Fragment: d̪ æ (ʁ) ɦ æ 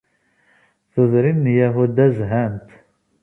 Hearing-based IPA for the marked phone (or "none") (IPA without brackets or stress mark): z